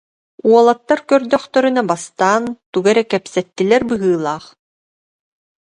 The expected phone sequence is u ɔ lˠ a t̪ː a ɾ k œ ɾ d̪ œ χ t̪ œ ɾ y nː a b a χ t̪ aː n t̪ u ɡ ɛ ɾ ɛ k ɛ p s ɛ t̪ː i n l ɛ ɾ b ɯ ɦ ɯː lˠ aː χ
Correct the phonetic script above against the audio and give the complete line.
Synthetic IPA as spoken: u ɔ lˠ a t̪ː a ɾ k œ ɾ d̪ œ χ t̪ œ ɾ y n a b a s t̪ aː n t̪ u ɡ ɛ ɾ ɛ k ɛ p s ɛ t̪ː i l ɛ ɾ b ɯ ɦ ɯː lˠ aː χ